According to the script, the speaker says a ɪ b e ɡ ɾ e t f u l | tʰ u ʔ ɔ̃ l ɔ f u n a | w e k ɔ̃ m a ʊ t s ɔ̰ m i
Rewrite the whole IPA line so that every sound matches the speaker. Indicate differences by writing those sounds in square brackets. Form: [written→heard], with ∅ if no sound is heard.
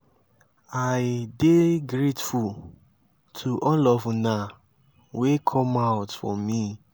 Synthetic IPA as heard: a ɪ [b→d] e ɡ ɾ e t f u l | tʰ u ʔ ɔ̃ l ɔ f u n a | w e [k→kʰ] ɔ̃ m a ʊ t [s→f] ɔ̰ m i